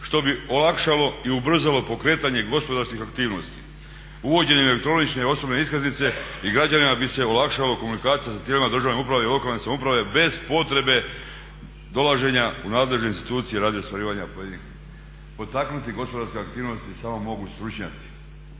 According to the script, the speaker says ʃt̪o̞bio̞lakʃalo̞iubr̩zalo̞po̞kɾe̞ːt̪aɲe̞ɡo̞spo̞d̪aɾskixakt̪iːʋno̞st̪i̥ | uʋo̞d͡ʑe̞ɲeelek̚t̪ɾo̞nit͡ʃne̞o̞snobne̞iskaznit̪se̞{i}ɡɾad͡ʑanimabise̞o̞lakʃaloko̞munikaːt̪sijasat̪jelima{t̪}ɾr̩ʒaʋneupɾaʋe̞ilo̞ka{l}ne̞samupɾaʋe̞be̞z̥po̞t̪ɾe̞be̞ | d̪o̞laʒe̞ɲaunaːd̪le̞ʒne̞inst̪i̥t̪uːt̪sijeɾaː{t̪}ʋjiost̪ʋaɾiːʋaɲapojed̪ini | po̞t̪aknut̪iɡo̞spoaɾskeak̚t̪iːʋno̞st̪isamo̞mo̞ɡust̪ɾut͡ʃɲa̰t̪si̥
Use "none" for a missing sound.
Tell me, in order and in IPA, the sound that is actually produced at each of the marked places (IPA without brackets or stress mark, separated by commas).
i, d̪, l, d̪